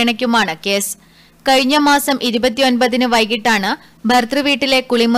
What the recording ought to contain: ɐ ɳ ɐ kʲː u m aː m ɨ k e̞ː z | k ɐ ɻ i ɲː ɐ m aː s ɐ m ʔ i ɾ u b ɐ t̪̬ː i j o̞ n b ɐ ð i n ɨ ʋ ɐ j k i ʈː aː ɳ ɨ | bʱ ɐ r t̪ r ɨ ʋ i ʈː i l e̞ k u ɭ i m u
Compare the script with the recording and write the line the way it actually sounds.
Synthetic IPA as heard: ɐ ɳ ɐ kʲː u m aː ɳ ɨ k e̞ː s | k ɐ ɻ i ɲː ɐ m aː s ɐ m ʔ i ɾ u b ɐ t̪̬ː i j o̞ n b ɐ ð i n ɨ ʋ ɐ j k i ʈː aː ɳ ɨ | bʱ ɐ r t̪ r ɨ ʋ iː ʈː i l e̞ k u ɭ i m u